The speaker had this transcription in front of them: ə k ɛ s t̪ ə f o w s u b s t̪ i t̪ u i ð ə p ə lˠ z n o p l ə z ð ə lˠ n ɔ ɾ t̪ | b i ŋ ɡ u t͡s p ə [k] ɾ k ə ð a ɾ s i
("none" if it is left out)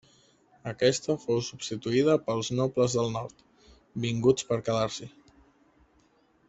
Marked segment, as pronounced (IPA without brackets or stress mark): none